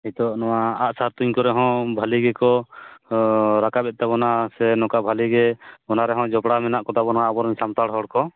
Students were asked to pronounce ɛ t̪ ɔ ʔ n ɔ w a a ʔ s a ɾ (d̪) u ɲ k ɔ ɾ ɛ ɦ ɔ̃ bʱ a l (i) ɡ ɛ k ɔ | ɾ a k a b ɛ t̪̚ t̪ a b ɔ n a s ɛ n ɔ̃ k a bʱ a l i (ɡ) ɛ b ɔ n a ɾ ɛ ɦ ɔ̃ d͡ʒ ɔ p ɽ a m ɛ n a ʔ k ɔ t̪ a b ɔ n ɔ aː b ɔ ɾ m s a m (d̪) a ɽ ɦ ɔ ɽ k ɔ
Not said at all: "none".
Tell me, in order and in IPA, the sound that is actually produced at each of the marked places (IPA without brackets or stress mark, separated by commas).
t̪, i, ɡ, t̪